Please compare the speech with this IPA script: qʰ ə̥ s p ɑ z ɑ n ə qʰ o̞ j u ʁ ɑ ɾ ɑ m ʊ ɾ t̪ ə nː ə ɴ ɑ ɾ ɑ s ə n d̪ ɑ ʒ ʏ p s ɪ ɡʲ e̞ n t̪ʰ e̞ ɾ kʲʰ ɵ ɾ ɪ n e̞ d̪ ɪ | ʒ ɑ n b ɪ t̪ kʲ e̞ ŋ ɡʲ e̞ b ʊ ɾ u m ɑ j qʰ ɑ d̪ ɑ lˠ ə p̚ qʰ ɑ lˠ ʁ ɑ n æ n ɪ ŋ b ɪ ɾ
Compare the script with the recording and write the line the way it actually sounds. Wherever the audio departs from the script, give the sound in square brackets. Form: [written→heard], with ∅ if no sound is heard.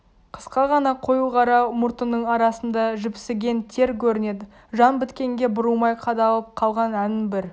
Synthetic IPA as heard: qʰ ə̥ s [p→q] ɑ [z→ʁ] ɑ n [ə→ɑ] qʰ o̞ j u ʁ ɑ ɾ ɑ m ʊ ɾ t̪ ə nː ə ɴ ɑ ɾ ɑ s ə n d̪ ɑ ʒ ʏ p s ɪ ɡʲ e̞ n t̪ʰ e̞ ɾ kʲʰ ɵ ɾ ɪ n e̞ d̪ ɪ | ʒ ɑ n b ɪ t̪ kʲ e̞ ŋ ɡʲ e̞ b ʊ ɾ u m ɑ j qʰ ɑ d̪ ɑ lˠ ə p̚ qʰ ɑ lˠ ʁ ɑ n æ n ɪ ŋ b ɪ ɾ